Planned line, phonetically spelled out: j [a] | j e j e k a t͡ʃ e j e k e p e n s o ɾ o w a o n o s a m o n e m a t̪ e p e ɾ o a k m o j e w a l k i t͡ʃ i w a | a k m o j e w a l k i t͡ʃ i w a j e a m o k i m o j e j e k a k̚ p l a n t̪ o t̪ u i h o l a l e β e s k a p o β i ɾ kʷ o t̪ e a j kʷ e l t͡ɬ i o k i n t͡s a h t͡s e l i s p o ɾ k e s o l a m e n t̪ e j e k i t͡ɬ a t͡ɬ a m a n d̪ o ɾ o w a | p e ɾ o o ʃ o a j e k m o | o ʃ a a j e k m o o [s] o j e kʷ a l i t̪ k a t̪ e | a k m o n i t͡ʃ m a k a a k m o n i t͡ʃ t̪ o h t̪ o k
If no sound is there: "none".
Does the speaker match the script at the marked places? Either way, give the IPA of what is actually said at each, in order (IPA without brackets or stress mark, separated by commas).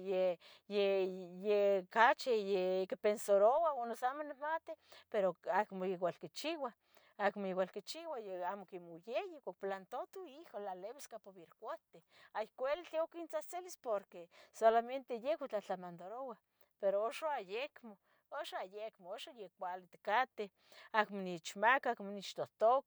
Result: e, ʃ